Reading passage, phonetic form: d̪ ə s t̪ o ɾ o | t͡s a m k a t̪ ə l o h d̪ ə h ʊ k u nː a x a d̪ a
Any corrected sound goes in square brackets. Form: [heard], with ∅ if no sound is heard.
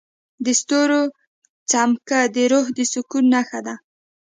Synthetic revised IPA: d̪ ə s t̪ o ɾ o | t͡s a m k a [d̪] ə [ɾ] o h d̪ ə [s] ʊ k u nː a x a d̪ a